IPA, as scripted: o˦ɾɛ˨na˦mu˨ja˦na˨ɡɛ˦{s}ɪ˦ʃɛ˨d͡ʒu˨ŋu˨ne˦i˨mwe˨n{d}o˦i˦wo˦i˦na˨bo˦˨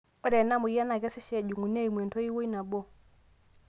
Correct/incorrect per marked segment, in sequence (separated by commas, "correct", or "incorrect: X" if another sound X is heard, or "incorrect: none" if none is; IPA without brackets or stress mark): correct, incorrect: t